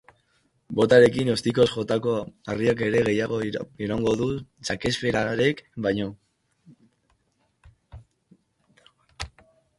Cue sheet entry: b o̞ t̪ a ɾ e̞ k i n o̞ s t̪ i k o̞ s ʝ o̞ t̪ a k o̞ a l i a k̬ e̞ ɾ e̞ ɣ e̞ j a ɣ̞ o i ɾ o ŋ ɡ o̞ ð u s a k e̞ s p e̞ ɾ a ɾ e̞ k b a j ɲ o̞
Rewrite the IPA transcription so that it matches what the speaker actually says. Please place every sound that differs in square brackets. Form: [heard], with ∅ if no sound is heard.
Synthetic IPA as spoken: b o̞ t̪ a ɾ e̞ k i n o̞ s t̪ i k o̞ s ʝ o̞ t̪ a k o̞ a [r] i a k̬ e̞ ɾ e̞ ɣ e̞ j a ɣ̞ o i ɾ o ŋ ɡ o̞ ð u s a k e̞ s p e̞ ɾ a ɾ e̞ k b a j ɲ o̞